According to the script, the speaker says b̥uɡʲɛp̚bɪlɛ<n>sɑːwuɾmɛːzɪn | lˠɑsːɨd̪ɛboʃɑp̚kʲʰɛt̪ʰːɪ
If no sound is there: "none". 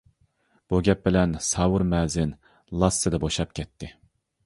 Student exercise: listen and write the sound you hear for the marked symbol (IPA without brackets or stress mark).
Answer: n